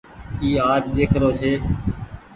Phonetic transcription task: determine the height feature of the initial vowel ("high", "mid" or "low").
high